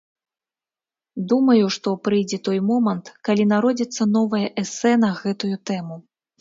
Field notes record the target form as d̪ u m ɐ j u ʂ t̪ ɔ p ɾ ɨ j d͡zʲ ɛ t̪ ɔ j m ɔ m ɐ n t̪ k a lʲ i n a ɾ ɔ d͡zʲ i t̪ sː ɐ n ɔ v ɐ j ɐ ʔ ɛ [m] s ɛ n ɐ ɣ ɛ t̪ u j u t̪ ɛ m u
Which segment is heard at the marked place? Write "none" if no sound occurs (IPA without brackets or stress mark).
none